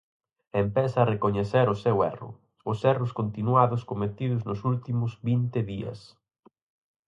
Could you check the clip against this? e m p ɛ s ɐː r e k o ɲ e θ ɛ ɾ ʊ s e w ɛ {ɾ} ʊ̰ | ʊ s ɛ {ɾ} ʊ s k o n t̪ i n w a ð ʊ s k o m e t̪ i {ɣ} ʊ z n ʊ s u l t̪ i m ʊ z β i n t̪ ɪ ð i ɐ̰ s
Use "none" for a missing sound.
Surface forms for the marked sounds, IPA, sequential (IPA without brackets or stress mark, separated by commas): r, r, ð